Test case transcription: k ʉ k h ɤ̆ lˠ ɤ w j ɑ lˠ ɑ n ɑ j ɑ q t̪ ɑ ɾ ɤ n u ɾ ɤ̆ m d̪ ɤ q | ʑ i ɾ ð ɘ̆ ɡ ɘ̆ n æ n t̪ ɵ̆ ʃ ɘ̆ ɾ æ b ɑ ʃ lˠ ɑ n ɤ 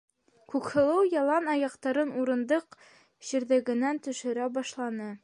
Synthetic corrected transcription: k ʉ k h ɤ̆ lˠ ɤ w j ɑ lˠ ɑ n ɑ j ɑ q t̪ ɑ ɾ ɤ n u ɾ ɤ̆ n d̪ ɤ q | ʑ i ɾ ð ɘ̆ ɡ ɘ̆ n æ n t̪ ɵ̆ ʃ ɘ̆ ɾ æ b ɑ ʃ lˠ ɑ n ɤ